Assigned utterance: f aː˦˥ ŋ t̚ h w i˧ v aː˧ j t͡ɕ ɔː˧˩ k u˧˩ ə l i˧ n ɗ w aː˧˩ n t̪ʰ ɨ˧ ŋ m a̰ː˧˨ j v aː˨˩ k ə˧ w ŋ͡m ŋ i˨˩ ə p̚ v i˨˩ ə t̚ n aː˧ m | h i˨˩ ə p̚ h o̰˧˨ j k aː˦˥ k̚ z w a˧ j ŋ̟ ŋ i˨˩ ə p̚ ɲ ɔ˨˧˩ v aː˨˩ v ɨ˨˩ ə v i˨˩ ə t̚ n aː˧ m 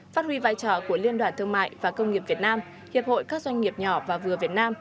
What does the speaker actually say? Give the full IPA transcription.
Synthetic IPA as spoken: f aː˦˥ t̚ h w i˧ v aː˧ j t͡ɕ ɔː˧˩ k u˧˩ ə l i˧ n ɗ w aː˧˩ n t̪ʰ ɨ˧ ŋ m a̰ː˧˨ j v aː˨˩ k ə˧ w ŋ͡m ŋ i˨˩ ə p̚ v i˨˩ ə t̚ n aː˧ m | h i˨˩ ə p̚ h o̰˧˨ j k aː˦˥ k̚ z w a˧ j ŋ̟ ŋ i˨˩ ə p̚ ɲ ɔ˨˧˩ v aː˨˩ v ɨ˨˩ ə v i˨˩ ə t̚ n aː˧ m